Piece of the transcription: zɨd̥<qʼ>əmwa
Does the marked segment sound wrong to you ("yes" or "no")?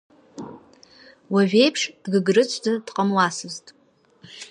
no